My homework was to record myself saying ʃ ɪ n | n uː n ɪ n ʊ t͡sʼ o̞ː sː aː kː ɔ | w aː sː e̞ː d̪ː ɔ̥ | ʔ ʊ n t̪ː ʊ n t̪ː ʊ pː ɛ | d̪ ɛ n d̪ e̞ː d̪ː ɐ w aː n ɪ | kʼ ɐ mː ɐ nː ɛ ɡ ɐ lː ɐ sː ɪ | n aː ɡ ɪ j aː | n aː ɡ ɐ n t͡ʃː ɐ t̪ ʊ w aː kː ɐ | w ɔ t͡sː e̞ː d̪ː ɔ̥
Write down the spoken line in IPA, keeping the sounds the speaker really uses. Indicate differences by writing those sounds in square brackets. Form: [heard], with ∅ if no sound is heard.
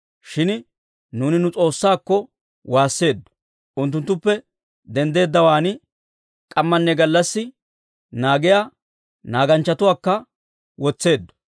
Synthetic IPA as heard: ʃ ɪ n | n uː n ɪ n ʊ t͡sʼ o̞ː sː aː kː ɔ | w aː sː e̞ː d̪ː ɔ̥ | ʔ ʊ n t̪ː ʊ n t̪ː ʊ pː ɛ | d̪ ɛ n d̪ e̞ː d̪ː ɐ w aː n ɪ | kʼ ɐ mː ɐ nː ɛ ɡ ɐ lː ɐ sː ɪ | n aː ɡ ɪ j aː | n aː ɡ ɐ n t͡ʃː ɐ t̪ ʊ w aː kː ɐ | w ɔ t͡sː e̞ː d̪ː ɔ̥